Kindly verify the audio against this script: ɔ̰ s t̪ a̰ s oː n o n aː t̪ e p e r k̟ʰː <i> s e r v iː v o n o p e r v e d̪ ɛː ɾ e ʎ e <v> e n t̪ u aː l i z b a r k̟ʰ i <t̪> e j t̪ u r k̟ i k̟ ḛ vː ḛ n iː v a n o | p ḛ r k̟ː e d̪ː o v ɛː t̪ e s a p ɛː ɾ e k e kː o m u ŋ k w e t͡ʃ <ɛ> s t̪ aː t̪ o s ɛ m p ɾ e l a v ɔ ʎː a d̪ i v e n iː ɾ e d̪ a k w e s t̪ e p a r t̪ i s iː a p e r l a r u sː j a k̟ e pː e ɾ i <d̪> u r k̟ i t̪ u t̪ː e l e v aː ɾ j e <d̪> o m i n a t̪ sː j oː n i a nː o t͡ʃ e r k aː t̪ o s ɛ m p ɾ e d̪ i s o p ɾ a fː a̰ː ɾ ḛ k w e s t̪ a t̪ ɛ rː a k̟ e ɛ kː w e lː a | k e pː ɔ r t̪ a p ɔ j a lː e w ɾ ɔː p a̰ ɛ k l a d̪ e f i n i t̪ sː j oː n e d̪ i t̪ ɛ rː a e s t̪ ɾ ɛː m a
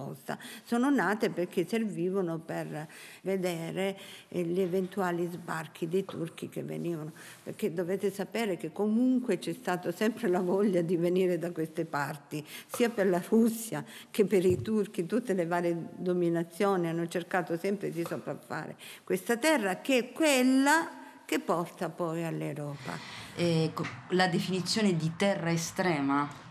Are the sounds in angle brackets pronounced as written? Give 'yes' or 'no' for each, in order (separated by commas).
no, yes, no, yes, no, yes